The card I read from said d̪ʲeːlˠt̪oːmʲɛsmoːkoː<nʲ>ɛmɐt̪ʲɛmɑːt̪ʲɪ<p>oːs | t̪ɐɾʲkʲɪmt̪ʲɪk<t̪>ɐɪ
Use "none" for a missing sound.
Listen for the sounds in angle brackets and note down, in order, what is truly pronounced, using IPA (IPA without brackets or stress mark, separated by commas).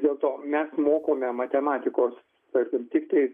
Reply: mʲ, k, t̪